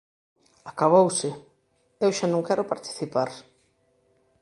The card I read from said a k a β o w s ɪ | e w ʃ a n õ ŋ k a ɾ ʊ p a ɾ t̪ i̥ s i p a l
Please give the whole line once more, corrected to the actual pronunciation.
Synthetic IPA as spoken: a k a β o w s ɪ | e w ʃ a n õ ŋ k ɛ ɾ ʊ p a ɾ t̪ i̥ θ i p a ɾ